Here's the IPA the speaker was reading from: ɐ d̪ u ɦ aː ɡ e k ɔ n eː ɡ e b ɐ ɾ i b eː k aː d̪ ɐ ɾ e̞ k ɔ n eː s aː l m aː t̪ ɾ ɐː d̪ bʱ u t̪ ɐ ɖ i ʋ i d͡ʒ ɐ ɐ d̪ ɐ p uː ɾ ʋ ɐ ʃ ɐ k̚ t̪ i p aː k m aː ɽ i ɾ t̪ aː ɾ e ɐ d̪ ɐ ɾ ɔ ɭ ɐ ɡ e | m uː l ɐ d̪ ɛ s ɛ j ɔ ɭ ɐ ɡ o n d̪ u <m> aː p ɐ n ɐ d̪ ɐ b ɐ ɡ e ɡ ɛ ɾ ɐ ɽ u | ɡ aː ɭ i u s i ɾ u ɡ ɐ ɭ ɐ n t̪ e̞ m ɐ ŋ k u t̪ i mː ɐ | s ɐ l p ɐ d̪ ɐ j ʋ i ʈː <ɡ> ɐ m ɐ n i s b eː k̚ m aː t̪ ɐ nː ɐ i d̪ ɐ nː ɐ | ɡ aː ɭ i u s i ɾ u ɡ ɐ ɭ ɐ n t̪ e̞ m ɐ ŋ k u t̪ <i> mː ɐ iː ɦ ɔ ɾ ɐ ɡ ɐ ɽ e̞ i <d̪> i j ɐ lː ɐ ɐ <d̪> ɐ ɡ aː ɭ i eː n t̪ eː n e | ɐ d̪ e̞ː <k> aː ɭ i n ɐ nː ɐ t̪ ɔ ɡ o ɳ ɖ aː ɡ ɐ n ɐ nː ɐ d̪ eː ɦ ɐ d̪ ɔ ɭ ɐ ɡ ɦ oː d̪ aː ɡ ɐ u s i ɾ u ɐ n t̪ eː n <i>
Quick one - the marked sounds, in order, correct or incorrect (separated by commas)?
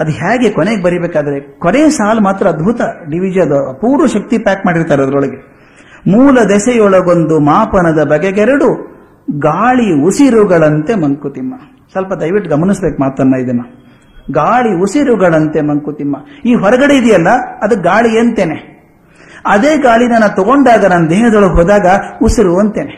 correct, correct, correct, correct, correct, incorrect, incorrect